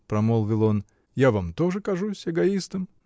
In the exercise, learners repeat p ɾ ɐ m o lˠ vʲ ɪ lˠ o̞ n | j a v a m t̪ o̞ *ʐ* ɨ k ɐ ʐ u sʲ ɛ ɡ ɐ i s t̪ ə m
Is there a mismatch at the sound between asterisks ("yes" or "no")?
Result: no